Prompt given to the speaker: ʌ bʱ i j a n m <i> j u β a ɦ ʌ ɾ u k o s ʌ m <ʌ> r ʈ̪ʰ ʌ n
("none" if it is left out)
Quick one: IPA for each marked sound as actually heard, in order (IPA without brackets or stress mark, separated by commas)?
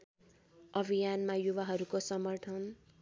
a, ʌ